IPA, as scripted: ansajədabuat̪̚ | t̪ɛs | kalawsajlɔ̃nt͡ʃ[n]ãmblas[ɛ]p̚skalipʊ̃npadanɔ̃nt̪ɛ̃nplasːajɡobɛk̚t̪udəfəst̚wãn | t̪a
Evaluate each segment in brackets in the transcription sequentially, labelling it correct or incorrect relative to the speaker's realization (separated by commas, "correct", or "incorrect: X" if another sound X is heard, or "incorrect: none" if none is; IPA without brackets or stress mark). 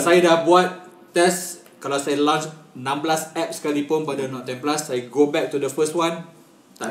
correct, correct